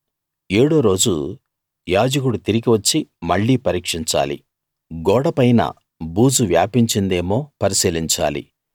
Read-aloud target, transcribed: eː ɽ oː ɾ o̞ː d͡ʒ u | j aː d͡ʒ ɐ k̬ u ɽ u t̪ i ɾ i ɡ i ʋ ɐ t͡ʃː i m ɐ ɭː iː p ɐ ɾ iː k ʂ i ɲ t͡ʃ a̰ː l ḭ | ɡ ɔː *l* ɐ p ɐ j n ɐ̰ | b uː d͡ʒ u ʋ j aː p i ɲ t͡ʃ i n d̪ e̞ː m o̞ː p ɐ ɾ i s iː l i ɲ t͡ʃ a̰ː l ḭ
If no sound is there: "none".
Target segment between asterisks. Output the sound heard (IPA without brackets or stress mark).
ɽ